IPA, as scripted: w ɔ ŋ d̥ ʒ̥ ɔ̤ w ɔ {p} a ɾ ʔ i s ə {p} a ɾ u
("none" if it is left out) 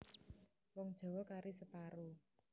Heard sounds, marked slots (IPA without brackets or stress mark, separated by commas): k, p